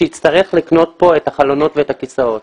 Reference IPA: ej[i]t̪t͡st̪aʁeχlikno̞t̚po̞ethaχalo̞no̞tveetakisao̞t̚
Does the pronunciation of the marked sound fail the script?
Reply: no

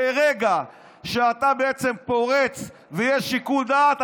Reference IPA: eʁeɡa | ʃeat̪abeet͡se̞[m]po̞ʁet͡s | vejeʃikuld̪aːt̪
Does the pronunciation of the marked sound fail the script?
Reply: no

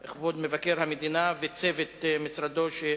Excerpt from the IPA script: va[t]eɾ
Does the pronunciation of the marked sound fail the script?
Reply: yes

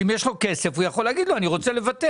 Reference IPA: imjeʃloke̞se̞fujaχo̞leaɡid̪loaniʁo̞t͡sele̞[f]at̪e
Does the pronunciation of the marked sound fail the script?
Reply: yes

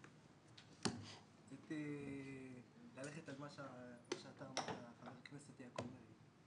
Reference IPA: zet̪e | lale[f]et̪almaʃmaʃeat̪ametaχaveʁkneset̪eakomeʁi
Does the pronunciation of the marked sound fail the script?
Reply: yes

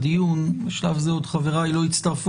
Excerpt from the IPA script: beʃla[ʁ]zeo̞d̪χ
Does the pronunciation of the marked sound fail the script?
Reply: yes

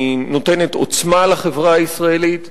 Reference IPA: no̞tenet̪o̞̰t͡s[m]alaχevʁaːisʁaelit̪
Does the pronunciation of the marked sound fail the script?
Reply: no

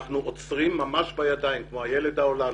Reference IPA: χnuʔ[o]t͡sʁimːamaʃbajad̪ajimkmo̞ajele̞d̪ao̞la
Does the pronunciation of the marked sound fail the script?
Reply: no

